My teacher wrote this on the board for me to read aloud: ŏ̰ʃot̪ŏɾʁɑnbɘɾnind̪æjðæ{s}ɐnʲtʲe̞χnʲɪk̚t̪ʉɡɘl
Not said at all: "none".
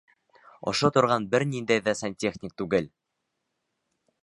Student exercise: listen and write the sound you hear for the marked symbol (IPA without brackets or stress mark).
s